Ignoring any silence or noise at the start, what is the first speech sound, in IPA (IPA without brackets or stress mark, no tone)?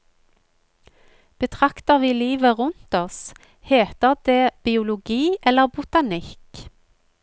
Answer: b̥